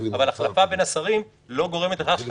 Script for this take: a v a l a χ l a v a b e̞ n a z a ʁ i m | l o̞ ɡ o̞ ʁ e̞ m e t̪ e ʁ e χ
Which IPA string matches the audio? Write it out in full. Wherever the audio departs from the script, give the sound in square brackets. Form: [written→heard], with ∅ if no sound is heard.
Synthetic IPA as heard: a v a l a χ l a [v→f] a b e̞ n a [z→s] a ʁ i m | l o̞ ɡ o̞ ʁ e̞ m e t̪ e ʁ [e→a] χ